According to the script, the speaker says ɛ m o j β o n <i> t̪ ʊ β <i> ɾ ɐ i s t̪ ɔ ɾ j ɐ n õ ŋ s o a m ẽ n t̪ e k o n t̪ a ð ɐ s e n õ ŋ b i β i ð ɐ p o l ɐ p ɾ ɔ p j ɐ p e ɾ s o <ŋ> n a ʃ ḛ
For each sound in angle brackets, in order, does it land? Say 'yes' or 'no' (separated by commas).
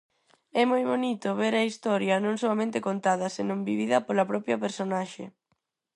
yes, no, no